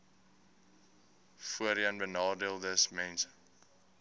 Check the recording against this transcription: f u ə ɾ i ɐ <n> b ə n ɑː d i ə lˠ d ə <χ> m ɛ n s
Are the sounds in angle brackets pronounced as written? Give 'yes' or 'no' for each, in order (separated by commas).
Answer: yes, no